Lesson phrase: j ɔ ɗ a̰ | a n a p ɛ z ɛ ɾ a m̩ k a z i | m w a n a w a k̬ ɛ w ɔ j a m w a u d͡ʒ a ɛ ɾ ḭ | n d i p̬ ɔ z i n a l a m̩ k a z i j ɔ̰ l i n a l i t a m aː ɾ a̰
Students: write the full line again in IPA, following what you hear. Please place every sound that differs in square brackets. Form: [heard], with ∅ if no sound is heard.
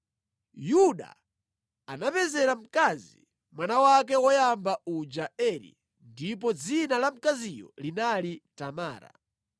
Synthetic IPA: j [u] ɗ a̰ | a n a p ɛ z ɛ ɾ a m̩ k a z i | m w a n a w a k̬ ɛ w ɔ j a m [b] a u d͡ʒ a ɛ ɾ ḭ | n d i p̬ ɔ [d͡z] i n a l a m̩ k a z i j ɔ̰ l i n a l i t a m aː ɾ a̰

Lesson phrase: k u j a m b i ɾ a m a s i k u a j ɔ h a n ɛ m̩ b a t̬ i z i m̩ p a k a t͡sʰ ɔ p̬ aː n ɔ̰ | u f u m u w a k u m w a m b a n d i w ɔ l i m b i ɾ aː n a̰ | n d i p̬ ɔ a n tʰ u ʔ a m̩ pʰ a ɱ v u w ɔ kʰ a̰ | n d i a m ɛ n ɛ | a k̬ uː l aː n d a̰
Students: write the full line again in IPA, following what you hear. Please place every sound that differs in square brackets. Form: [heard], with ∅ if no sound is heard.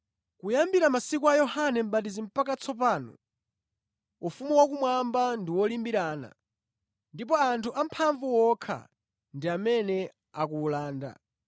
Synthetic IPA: k u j a m b i ɾ a m a s i k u a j ɔ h a n ɛ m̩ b a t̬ i z i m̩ p a k a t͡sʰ ɔ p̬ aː n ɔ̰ | u f u m u w a k u m w a m b a n d i w ɔ l i m b i ɾ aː n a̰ | n d i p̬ ɔ a n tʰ u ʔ a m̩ pʰ a ɱ v u w ɔ kʰ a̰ | n d i a m ɛ n ɛ | a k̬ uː l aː n d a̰

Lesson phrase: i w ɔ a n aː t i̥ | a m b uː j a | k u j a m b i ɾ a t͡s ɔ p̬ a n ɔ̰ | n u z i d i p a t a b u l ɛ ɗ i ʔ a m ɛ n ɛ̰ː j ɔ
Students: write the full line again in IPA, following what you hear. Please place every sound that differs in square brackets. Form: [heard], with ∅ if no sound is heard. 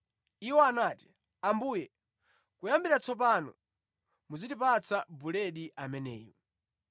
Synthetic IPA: i w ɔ a n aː t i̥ | a m b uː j [ɛ] | k u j a m b i ɾ a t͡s ɔ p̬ a n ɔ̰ | [m] u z i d i p a [t͡s] a b u l ɛ ɗ i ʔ a m ɛ n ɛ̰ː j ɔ

